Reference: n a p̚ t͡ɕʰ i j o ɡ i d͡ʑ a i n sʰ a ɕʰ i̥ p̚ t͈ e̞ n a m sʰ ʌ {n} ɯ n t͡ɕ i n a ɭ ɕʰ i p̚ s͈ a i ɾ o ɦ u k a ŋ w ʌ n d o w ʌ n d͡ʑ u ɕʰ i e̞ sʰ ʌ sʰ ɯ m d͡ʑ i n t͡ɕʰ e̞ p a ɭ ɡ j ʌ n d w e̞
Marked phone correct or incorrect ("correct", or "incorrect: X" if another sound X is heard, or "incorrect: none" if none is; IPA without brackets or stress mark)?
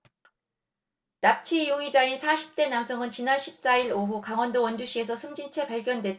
incorrect: ŋ